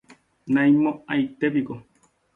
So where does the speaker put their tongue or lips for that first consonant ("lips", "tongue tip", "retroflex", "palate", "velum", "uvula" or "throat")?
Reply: tongue tip